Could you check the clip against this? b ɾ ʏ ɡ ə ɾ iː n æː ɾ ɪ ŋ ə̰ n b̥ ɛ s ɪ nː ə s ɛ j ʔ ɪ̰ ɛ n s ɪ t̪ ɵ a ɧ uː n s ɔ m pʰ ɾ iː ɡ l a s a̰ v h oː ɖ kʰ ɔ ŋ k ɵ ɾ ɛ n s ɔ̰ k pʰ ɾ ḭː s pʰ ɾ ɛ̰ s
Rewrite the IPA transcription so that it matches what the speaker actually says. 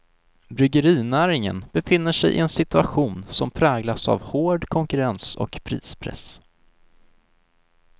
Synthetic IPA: b ɾ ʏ ɡ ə ɾ iː n æː ɾ ɪ ŋ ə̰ n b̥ ɛ f ɪ nː ə ʂ ɛ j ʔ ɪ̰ ɛ n s ɪ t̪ ɵ a ɧ uː n s ɔ m pʰ ɾ ɛː ɡ l a s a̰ v h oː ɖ kʰ ɔ ŋ k ɵ ɾ ɛ n s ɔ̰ k pʰ ɾ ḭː s pʰ ɾ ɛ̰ s